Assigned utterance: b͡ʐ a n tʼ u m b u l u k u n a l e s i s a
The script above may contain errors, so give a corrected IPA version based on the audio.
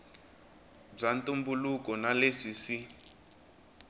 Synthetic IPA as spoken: b͡ʐ a n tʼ u m b u l u k ɔ n a l e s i s i

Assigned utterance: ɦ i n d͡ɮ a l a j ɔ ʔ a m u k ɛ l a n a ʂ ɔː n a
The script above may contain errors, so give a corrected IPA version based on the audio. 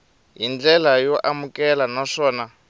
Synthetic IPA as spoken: ɦ i n d͡ɮ ɛ l a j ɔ ʔ a m u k ɛ l a n a ʂ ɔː n a

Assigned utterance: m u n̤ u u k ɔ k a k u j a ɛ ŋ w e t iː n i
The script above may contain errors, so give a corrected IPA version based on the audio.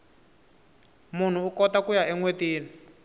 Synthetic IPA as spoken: m u n̤ u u k ɔ t a k u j a ɛ ŋ w e t iː n i

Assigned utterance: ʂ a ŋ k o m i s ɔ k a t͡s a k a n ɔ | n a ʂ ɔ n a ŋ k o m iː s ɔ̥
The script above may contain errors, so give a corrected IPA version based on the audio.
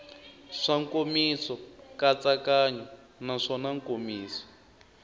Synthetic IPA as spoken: ʂ a ŋ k o m i s ɔ k a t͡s a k a ɲ ɔ | n a ʂ ɔ n a ŋ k o m iː s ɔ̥

